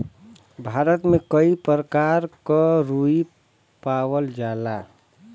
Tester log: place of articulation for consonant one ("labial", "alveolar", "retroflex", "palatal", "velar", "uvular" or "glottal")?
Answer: labial